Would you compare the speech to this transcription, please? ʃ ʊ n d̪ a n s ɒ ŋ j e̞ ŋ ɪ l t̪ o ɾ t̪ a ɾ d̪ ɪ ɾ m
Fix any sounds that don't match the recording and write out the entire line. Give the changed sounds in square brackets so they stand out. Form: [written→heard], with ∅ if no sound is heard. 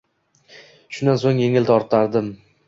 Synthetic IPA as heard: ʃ ʊ n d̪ a n s [ɒ→o] ŋ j e̞ ŋ ɪ l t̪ [o→ɒ] ɾ t̪ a ɾ d̪ ɪ [ɾ→∅] m